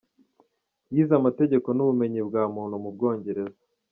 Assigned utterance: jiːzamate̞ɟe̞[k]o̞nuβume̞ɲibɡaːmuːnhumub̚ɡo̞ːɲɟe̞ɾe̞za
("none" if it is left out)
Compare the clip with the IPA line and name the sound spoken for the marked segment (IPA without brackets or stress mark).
k